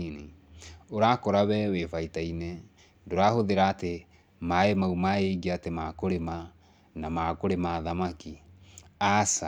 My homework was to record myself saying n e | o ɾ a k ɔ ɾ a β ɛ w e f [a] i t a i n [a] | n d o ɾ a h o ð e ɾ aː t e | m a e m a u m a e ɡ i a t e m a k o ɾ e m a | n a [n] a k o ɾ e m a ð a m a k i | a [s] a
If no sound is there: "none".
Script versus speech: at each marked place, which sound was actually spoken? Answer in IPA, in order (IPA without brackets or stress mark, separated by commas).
a, ɛ, m, s